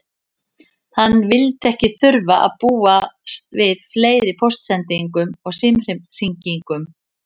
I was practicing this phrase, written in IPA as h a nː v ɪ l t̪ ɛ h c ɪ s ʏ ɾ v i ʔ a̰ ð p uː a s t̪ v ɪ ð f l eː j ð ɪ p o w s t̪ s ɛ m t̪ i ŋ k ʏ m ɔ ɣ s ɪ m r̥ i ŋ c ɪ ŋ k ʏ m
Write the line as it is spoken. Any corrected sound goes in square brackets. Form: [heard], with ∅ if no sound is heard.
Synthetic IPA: h a nː v ɪ l t̪ ɛ h c ɪ [θ] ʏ ɾ v [a] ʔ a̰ ð p uː a s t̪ v ɪ ð f l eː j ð ɪ [pʰ] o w s t̪ s ɛ [n] t̪ i ŋ k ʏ m ɔ ɣ s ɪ m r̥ i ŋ c [i] ŋ k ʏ m